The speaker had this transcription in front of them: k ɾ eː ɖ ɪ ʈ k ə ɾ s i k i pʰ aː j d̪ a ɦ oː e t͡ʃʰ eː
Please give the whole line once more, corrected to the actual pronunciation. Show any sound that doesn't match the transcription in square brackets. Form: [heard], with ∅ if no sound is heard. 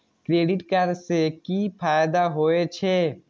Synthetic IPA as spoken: k ɾ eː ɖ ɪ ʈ k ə ɾ s [e] k i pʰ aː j d̪ a ɦ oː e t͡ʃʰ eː